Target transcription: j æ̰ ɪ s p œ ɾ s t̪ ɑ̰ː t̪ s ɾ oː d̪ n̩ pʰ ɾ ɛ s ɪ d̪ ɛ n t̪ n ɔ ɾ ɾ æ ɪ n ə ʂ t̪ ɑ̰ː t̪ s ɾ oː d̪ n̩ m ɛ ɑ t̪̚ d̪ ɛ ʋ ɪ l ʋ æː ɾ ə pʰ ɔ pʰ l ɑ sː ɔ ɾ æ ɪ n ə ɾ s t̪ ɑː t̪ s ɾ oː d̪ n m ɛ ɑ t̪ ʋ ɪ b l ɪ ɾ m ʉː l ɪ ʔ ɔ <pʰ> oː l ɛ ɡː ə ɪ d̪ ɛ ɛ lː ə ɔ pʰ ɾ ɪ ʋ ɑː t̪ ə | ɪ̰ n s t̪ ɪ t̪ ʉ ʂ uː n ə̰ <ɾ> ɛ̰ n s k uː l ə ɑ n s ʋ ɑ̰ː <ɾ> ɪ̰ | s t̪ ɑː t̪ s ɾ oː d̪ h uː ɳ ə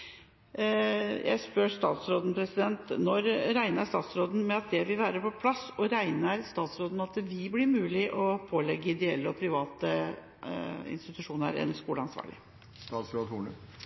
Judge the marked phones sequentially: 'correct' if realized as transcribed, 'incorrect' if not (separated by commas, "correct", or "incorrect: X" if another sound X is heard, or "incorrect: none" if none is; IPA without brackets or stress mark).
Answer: correct, correct, incorrect: ɭ